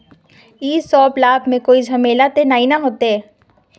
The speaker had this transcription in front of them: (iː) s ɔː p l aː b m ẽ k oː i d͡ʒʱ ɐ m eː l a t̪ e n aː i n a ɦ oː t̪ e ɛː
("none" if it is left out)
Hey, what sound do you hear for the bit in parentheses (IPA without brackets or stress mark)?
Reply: iː